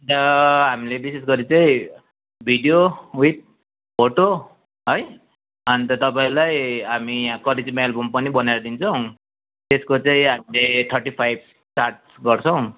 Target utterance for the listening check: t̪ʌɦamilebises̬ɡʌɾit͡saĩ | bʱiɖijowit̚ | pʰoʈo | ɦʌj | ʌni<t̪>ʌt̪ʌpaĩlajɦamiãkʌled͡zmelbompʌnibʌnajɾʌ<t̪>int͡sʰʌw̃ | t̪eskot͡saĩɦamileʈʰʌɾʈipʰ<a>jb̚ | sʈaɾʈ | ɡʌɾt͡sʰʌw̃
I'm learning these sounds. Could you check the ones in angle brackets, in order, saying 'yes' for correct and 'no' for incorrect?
yes, no, yes

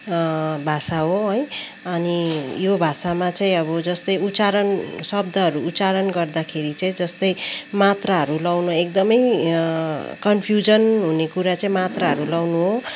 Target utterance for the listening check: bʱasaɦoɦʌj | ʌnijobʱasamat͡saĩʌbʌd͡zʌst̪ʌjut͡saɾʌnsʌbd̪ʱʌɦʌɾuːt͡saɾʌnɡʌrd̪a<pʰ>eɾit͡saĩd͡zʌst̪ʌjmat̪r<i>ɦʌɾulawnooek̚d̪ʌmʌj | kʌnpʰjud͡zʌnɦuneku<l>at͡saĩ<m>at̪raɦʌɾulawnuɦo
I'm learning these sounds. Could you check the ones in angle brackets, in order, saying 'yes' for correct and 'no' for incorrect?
no, no, no, yes

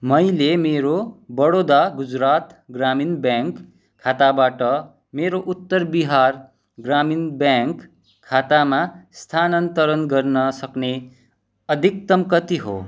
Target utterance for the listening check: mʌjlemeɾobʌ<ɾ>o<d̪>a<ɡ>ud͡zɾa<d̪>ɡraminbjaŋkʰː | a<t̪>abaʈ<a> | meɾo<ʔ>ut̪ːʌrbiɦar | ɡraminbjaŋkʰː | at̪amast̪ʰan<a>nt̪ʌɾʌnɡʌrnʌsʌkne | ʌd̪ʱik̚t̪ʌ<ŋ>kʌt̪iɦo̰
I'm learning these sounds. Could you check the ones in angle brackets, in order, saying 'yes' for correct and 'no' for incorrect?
no, yes, yes, no, yes, no, yes, no, no

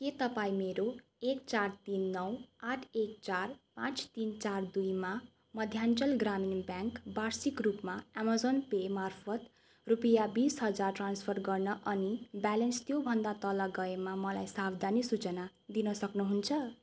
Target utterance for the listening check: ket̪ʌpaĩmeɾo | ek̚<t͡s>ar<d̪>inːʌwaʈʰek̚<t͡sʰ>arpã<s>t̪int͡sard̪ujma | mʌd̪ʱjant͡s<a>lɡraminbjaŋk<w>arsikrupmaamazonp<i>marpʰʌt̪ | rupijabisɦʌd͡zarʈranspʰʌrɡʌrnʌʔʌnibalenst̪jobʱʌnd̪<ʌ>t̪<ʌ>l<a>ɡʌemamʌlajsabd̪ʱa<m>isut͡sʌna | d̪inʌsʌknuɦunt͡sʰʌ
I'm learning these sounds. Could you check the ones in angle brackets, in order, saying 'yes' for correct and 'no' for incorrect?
yes, no, no, no, no, no, no, no, yes, no, no

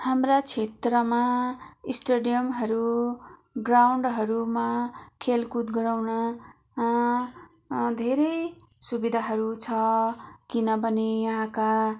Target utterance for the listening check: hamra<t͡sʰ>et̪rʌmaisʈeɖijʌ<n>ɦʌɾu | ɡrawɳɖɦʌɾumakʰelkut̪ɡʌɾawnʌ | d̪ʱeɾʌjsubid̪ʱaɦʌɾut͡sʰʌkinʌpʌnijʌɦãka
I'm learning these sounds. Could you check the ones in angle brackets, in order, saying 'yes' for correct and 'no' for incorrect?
yes, no

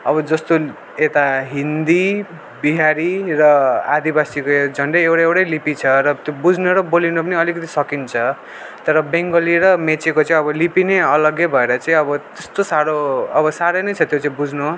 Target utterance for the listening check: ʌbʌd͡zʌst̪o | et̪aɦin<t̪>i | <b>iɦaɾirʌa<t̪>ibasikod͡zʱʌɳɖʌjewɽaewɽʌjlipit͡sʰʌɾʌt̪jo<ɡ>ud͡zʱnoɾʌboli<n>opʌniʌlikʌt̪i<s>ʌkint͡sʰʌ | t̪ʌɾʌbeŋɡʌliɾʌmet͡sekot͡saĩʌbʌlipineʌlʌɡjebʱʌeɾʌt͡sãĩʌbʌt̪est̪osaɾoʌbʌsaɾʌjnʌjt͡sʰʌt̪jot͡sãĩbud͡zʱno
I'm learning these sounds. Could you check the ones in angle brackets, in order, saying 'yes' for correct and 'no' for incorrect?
no, yes, no, no, yes, yes

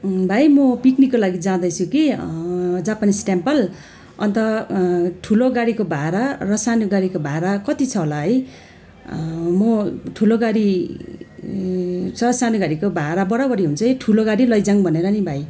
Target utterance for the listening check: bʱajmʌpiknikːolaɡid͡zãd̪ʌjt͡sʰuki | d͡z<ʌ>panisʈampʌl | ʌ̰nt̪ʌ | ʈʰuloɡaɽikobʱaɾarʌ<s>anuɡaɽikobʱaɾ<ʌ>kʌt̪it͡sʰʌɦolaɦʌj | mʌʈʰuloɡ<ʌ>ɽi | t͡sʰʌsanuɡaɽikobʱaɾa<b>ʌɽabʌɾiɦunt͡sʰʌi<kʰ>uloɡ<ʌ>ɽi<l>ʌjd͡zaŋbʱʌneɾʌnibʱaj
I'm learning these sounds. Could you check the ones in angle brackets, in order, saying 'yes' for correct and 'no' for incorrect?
no, yes, no, no, yes, no, no, yes

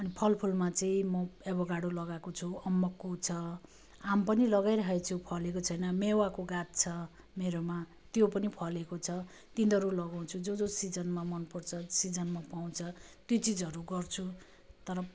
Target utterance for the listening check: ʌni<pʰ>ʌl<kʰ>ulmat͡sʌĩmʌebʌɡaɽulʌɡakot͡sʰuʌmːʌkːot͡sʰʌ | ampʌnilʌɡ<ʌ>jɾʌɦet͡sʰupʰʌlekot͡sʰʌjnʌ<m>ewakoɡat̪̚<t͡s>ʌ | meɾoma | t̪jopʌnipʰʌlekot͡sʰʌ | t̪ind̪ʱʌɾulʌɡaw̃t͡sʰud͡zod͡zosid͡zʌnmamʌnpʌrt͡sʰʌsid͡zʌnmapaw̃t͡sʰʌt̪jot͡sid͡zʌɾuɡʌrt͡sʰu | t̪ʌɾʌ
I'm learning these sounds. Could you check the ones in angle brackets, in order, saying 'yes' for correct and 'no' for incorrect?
yes, no, no, yes, no

